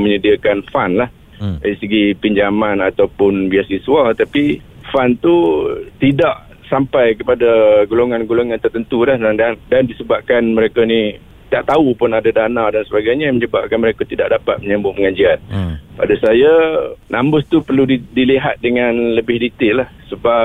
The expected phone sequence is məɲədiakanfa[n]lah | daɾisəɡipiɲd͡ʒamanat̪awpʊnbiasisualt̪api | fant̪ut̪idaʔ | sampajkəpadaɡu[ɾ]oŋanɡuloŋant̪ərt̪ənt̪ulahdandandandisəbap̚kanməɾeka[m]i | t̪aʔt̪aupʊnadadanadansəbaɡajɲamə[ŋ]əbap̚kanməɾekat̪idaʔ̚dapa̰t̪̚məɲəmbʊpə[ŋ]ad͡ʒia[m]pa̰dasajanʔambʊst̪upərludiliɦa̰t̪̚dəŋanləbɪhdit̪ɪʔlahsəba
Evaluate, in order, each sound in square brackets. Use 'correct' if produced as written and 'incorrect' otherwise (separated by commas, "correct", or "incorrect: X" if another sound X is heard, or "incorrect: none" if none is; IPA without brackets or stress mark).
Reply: correct, incorrect: l, incorrect: n, incorrect: ɲ, correct, incorrect: n